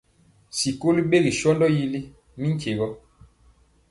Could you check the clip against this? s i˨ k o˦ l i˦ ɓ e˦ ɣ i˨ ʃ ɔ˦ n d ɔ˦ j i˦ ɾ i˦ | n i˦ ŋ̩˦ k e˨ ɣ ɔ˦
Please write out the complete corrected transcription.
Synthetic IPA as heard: s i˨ k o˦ l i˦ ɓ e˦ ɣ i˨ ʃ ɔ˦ n d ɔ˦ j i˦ l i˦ | m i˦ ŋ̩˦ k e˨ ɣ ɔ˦